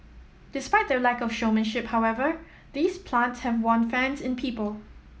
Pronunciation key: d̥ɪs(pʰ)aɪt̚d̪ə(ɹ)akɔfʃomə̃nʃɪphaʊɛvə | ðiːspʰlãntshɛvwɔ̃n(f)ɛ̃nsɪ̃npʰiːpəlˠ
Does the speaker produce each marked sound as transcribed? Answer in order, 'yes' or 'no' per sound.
no, no, yes

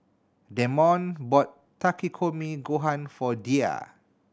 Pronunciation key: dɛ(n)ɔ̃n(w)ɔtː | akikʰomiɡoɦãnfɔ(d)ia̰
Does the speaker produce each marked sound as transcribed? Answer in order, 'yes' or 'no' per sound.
no, no, yes

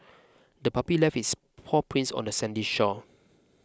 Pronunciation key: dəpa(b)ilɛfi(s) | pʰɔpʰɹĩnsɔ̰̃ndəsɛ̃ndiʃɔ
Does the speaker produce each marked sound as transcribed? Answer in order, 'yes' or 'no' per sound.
no, yes

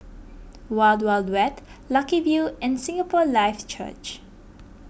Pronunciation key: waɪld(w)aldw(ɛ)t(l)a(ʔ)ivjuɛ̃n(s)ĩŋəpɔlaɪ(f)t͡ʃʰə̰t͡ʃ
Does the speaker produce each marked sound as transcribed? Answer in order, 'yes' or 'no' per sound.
yes, yes, yes, no, yes, yes

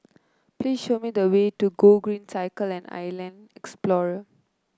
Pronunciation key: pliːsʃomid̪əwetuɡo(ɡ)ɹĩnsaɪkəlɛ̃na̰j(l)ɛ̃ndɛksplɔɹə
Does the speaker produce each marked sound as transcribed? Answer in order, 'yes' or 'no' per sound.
yes, yes

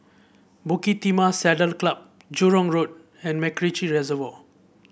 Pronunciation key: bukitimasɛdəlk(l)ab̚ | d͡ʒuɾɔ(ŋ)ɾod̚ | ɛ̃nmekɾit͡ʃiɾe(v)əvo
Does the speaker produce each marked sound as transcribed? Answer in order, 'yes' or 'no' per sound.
yes, yes, no

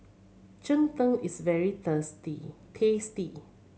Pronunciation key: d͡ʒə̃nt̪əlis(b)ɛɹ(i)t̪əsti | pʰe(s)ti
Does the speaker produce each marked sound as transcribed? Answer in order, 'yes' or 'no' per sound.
no, yes, yes

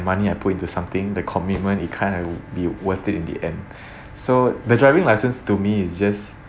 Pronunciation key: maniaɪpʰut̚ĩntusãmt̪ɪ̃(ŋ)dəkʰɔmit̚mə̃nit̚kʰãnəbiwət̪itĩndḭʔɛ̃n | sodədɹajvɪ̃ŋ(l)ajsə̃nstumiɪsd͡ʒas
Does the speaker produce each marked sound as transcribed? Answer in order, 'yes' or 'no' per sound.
yes, yes

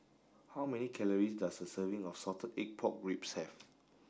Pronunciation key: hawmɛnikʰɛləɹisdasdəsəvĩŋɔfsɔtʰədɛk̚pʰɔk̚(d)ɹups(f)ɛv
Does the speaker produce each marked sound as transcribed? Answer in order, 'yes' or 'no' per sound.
no, no

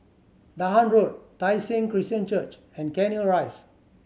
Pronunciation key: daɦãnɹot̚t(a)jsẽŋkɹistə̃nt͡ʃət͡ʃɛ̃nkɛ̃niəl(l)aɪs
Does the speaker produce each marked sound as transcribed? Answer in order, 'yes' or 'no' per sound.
yes, no

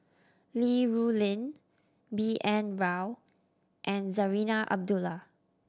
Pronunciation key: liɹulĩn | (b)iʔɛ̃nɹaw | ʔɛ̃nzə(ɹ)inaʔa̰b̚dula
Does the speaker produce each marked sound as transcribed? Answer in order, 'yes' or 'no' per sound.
yes, yes

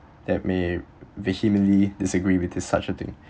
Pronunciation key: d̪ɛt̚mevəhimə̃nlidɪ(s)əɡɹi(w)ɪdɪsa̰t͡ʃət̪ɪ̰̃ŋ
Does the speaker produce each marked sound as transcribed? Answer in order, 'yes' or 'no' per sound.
yes, yes

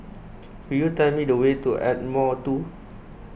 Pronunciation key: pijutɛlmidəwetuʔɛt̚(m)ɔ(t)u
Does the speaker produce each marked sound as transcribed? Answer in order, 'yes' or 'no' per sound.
yes, yes

